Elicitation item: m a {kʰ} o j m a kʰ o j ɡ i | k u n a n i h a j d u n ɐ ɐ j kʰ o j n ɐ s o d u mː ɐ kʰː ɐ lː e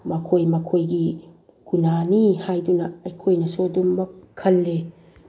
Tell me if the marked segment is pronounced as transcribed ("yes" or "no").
yes